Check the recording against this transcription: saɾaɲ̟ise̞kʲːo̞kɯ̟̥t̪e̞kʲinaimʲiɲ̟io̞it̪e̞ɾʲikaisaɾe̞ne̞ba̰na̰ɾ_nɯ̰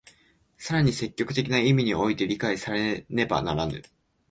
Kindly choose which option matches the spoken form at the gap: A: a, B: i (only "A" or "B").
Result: A